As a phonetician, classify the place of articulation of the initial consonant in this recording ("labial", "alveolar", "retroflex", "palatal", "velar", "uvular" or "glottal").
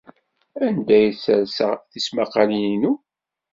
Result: alveolar